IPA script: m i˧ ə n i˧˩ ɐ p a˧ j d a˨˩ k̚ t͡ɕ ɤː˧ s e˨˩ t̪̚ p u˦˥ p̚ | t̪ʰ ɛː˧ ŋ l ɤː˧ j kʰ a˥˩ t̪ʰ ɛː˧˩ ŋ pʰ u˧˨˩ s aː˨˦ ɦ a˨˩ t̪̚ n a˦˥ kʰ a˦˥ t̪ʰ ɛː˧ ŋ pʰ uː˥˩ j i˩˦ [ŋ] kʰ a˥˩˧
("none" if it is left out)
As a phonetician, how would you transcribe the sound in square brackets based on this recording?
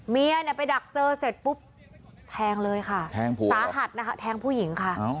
ŋ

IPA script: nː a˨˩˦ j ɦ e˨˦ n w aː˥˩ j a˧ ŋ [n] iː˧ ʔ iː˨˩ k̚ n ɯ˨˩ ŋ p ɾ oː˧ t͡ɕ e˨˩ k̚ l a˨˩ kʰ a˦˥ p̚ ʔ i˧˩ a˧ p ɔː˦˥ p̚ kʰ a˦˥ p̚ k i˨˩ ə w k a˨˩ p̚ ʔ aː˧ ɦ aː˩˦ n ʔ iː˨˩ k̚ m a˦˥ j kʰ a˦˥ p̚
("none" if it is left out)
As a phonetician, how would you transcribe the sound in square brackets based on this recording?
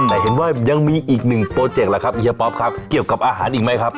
m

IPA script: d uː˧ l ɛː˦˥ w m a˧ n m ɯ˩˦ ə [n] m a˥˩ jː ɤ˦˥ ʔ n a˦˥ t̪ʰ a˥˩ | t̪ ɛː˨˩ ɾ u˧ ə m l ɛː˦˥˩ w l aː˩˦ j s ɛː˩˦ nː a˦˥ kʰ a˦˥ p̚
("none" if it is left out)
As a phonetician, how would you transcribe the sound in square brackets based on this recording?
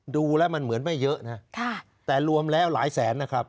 n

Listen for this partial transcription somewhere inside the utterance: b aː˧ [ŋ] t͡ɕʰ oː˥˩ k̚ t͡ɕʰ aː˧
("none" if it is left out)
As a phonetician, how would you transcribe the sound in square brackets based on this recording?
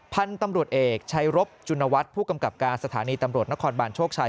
n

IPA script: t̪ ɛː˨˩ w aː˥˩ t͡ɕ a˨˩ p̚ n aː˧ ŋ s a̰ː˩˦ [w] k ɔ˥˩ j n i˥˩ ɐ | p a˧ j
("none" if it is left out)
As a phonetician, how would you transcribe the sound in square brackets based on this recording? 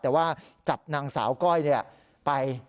w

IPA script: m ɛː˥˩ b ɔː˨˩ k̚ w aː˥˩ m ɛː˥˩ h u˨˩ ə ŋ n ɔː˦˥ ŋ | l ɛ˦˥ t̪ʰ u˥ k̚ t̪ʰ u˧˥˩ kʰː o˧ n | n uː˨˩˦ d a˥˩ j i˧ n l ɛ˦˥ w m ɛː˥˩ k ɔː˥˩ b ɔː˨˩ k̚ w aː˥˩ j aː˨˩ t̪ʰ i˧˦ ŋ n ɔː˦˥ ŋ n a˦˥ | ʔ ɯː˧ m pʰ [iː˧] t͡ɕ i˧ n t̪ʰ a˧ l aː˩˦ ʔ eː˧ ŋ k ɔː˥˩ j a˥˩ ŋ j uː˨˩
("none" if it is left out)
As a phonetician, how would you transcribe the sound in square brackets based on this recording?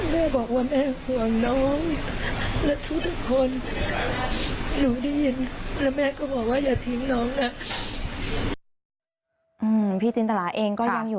iː˥˩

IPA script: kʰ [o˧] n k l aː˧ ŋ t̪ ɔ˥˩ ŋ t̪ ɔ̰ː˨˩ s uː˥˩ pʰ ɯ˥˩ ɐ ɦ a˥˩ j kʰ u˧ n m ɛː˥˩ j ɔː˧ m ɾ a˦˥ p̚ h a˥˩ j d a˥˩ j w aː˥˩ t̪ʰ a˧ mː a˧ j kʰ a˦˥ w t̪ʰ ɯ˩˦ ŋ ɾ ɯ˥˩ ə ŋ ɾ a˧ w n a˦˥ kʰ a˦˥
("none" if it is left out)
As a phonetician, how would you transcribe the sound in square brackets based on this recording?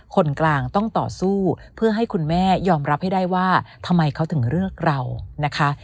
o˧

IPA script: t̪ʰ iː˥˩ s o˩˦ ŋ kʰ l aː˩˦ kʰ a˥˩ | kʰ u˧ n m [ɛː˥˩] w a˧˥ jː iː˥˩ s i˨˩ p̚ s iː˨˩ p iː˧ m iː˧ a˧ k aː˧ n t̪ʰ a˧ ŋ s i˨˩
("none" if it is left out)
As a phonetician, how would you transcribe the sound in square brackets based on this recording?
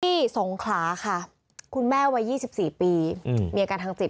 ɛː˥˩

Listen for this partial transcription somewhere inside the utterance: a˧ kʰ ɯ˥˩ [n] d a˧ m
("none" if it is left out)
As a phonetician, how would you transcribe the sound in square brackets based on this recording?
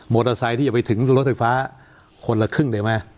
ŋ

